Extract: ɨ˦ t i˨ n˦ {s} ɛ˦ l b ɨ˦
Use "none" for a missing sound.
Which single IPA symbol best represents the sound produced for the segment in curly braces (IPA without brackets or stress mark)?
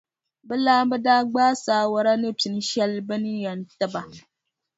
ʃ